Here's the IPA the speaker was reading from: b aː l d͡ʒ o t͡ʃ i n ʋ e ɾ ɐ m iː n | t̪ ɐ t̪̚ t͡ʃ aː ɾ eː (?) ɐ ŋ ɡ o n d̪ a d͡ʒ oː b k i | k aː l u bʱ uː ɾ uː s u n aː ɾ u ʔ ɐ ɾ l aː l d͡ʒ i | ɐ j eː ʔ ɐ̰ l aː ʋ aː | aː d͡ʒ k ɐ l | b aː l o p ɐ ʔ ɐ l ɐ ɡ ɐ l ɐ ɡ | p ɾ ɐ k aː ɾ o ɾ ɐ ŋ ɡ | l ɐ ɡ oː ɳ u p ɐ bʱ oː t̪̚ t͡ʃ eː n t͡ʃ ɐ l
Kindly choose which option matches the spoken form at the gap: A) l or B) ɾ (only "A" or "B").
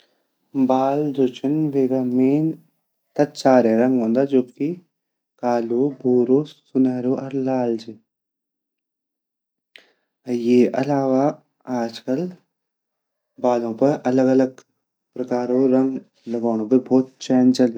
B